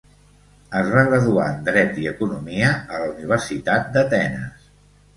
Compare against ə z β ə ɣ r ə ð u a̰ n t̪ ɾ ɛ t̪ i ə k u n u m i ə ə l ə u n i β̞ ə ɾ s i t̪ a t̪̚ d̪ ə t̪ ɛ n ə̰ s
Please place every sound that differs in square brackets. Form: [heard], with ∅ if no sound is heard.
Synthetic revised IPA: ə z β [a] ɣ r ə ð u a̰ n [d̪] ɾ ɛ t̪ i ə k u n u m i ə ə l ə u n i β̞ ə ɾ s i t̪ a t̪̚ d̪ ə t̪ ɛ n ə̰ s